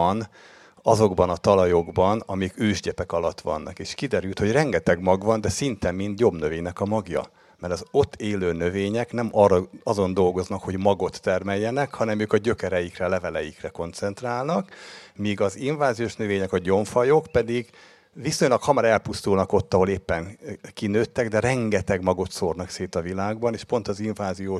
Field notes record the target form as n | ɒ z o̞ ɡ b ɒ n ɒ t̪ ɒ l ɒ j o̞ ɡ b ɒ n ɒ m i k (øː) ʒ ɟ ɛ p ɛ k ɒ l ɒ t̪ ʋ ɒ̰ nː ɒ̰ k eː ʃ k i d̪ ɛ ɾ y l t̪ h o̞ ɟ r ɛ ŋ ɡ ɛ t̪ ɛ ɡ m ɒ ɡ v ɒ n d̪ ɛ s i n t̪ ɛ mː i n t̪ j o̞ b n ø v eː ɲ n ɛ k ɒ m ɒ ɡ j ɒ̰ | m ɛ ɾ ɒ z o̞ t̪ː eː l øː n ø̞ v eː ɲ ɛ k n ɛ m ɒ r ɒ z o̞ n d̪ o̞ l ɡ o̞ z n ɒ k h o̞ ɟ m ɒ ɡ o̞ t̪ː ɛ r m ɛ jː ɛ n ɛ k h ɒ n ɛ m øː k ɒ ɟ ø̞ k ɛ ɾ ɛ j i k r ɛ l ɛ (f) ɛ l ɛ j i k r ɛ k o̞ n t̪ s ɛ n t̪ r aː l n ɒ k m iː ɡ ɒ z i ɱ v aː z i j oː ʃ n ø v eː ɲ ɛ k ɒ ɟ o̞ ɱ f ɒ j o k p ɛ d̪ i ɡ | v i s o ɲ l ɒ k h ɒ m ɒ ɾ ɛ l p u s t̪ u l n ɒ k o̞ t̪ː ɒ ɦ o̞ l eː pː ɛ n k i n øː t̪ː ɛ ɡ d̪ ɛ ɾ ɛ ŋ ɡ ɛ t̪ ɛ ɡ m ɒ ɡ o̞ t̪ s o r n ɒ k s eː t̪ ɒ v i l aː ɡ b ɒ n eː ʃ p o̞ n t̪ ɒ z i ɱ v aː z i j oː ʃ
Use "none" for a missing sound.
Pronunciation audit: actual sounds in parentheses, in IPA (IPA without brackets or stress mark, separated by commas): øː, v